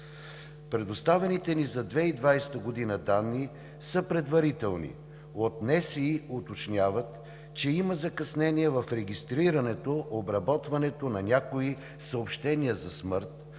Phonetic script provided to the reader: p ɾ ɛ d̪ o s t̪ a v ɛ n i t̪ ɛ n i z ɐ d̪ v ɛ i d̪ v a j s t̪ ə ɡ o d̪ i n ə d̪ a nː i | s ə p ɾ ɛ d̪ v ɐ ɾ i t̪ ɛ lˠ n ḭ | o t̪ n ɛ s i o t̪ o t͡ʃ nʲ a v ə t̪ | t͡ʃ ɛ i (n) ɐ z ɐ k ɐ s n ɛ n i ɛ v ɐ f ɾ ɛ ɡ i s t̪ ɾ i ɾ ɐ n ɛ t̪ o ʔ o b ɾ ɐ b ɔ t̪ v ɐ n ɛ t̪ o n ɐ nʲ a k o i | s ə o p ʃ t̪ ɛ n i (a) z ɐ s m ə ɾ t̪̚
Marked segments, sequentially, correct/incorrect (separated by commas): incorrect, incorrect